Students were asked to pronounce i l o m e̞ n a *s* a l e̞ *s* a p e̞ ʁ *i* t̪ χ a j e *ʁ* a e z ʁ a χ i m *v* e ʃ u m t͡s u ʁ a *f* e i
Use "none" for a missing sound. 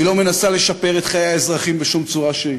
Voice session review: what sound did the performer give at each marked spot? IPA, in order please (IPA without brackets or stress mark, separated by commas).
s, ʃ, e, none, b, ʃ